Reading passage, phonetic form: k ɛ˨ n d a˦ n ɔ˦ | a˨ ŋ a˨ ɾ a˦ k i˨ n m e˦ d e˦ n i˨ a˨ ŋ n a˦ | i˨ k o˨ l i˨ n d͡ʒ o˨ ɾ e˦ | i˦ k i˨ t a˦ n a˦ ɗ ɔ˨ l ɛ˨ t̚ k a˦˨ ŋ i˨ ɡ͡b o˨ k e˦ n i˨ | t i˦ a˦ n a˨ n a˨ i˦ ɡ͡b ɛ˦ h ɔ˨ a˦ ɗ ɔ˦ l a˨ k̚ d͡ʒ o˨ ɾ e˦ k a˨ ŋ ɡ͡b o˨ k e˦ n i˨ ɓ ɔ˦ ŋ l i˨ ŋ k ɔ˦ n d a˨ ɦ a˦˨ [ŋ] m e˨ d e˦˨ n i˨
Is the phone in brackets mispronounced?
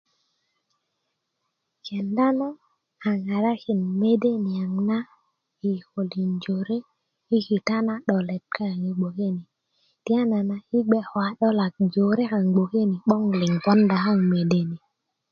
no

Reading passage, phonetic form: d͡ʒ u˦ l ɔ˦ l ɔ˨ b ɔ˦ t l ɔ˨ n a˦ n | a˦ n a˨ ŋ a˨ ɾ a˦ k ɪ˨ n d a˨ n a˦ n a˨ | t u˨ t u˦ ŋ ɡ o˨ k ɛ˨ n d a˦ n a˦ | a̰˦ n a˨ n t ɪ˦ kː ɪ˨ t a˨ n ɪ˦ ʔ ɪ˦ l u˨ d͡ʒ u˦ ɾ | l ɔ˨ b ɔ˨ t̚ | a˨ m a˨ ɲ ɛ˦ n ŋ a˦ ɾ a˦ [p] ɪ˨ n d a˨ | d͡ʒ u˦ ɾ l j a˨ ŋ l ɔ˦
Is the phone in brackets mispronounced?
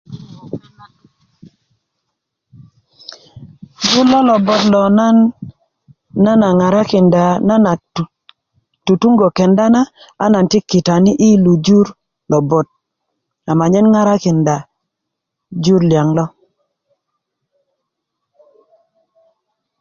yes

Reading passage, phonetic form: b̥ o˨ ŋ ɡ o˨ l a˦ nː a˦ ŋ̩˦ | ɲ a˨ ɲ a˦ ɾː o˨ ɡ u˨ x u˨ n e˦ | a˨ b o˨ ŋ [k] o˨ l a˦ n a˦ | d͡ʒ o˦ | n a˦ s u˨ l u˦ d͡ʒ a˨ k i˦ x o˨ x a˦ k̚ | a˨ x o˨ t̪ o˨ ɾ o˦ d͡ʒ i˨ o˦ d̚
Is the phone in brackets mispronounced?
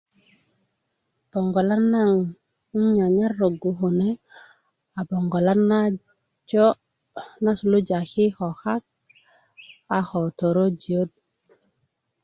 yes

